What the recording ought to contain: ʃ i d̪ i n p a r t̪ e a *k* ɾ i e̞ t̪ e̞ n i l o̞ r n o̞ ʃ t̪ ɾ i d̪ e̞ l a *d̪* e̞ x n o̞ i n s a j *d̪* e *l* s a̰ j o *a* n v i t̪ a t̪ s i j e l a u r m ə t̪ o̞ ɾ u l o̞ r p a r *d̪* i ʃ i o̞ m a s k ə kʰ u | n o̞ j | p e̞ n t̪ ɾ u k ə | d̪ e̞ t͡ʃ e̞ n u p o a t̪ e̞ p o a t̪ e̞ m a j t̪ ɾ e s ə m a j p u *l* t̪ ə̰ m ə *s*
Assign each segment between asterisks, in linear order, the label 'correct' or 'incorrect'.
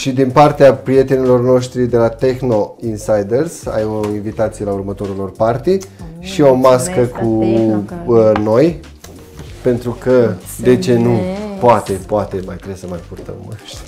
incorrect, incorrect, correct, incorrect, incorrect, incorrect, incorrect, incorrect

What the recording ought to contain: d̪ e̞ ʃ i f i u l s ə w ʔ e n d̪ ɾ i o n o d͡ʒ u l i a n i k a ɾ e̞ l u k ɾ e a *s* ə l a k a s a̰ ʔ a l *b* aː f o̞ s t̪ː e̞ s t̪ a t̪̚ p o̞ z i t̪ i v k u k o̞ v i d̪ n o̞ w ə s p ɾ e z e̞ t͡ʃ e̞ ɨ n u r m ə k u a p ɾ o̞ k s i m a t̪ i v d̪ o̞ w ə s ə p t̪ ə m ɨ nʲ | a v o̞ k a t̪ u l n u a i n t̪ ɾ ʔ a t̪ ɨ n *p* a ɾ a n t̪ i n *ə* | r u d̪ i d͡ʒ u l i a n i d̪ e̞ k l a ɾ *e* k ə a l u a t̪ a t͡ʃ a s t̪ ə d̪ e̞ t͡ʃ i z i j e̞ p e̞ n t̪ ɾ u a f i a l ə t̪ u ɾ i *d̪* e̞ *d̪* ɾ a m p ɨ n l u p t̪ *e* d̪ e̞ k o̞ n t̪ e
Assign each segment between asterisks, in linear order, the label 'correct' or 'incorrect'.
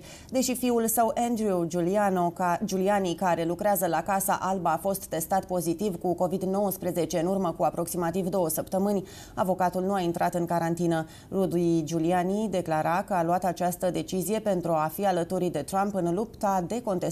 incorrect, correct, incorrect, correct, incorrect, correct, incorrect, incorrect

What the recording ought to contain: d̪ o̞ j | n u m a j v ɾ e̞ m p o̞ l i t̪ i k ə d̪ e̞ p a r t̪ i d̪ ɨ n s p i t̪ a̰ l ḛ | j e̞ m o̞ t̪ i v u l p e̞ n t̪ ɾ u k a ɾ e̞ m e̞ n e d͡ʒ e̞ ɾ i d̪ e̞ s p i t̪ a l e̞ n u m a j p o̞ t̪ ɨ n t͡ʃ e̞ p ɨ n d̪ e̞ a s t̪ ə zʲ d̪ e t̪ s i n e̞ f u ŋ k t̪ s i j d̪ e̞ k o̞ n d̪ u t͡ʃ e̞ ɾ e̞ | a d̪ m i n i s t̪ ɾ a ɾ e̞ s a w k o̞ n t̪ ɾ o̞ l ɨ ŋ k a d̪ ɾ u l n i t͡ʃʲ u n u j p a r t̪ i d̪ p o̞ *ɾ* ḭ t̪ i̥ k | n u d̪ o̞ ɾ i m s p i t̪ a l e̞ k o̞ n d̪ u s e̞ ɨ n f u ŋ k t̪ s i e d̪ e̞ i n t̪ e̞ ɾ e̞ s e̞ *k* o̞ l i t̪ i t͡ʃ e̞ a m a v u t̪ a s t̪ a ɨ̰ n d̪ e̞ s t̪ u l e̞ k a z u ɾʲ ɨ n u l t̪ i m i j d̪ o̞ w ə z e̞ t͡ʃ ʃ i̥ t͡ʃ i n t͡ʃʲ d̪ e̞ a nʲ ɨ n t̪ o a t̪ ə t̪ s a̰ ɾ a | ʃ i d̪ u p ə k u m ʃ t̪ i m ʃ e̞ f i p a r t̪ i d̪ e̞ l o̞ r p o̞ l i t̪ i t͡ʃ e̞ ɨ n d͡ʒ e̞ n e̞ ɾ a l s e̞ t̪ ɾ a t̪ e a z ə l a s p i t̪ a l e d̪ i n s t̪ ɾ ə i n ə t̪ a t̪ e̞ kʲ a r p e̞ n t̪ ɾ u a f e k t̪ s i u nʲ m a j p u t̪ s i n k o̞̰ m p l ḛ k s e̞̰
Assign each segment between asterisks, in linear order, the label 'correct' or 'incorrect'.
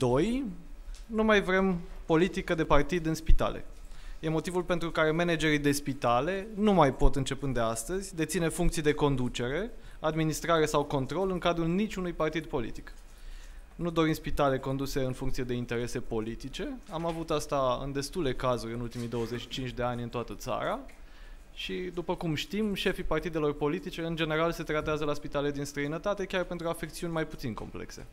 incorrect, incorrect

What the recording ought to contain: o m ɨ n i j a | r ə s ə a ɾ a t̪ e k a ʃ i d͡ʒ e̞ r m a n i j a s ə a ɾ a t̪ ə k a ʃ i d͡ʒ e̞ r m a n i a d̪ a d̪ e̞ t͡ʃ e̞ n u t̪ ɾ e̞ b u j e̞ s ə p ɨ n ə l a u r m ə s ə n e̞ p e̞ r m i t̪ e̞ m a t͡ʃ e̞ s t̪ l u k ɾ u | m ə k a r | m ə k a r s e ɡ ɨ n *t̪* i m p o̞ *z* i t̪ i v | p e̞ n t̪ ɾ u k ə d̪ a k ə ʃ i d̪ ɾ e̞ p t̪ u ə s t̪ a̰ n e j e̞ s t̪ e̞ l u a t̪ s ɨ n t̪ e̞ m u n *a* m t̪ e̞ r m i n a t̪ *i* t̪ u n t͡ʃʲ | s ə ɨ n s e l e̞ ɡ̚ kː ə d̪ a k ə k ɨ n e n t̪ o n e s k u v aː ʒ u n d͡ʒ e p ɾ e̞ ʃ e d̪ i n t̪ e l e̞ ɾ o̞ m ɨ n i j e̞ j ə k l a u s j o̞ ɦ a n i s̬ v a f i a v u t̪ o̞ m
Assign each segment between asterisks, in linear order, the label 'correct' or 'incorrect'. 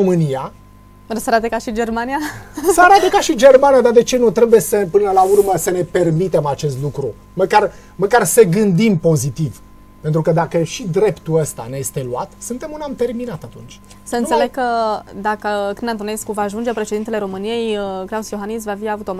incorrect, correct, correct, incorrect

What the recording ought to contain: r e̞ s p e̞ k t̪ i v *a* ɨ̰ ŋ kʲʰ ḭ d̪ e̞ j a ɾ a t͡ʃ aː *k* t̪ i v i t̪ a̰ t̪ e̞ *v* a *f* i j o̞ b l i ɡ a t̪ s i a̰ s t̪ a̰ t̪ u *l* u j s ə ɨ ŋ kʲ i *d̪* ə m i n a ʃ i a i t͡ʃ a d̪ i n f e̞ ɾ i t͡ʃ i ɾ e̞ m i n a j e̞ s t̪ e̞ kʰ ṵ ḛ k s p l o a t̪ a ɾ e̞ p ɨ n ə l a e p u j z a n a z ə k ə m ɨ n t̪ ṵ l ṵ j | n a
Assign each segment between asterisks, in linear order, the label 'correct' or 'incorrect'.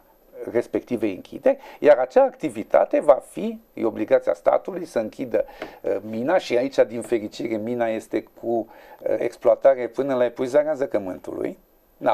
incorrect, correct, correct, correct, correct, correct

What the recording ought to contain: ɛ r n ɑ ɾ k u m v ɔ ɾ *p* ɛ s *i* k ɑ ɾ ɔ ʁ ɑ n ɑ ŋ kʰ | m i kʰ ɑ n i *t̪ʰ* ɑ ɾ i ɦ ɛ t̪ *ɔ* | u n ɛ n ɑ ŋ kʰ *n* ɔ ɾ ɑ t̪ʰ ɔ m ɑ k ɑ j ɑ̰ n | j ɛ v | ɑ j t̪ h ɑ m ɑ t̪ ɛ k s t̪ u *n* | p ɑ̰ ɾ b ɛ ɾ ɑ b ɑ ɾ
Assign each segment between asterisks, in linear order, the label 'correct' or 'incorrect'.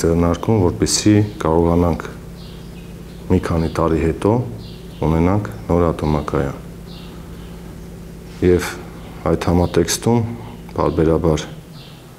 correct, correct, incorrect, correct, correct, incorrect

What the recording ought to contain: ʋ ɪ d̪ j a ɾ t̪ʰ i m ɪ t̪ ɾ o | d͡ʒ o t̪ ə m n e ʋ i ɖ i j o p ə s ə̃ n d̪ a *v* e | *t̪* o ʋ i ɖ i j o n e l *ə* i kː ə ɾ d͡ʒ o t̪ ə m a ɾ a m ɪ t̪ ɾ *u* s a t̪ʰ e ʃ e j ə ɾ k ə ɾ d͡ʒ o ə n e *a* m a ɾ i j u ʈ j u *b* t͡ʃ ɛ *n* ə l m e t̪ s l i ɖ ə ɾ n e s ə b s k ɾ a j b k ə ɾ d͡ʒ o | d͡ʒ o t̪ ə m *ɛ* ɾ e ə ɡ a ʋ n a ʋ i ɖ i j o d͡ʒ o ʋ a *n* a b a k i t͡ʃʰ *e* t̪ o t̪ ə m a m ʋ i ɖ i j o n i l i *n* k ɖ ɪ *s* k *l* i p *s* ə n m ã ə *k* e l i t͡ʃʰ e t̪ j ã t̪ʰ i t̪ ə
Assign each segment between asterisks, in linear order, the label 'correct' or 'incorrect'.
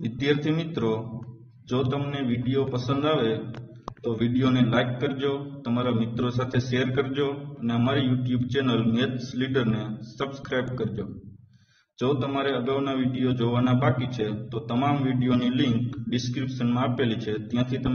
incorrect, correct, incorrect, incorrect, incorrect, correct, correct, incorrect, correct, correct, incorrect, correct, incorrect, incorrect, incorrect

